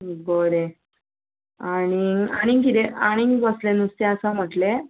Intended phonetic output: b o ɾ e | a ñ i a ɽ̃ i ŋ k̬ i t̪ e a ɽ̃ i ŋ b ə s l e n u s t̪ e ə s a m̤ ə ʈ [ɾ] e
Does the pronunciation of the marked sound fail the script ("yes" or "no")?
yes